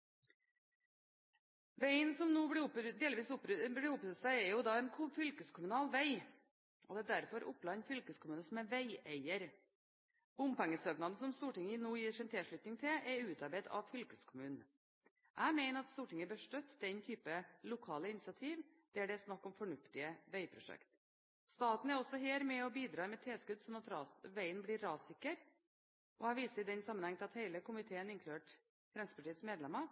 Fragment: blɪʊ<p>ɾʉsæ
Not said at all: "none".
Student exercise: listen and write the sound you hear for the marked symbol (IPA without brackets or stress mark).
p